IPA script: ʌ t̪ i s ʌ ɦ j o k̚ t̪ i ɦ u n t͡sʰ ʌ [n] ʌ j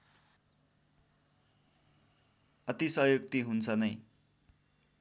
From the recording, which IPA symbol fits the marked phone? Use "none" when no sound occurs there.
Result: n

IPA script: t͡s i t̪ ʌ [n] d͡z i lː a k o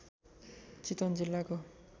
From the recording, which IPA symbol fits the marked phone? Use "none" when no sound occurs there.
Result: n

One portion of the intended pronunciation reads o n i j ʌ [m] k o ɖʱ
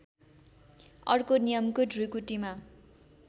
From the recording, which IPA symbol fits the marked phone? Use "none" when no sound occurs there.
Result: m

